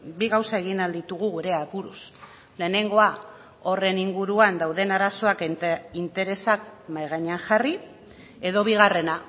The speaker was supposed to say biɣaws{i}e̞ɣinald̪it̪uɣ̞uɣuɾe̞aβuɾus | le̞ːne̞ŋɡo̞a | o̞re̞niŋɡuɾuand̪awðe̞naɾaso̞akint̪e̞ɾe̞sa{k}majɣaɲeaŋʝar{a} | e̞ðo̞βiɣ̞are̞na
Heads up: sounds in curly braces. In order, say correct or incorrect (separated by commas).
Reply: incorrect, correct, incorrect